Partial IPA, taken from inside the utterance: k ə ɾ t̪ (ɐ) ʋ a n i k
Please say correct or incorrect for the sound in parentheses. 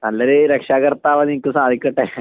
incorrect